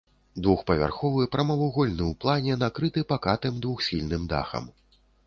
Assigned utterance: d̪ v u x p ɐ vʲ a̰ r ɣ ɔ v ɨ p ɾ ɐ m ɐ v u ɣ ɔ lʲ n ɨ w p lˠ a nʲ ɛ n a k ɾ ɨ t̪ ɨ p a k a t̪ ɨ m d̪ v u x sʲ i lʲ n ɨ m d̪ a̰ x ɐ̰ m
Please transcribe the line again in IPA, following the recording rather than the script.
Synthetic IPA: d̪ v u x p ɐ vʲ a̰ r x ɔ v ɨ p ɾ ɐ m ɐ v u ɣ ɔ lʲ n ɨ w p lˠ a nʲ ɛ n a k ɾ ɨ t̪ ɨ p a k a t̪ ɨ m d̪ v u x sʲ i lʲ n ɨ m d̪ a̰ x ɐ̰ m